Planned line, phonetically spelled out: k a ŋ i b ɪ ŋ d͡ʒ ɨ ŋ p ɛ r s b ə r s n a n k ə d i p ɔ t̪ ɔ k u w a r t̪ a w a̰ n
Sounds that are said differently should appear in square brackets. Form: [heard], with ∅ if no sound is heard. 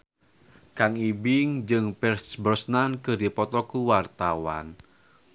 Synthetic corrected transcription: k a ŋ i b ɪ ŋ d͡ʒ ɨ ŋ p ɛ r s b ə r s n a n k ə d i p ɔ t̪ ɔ k u w a r t̪ a w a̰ n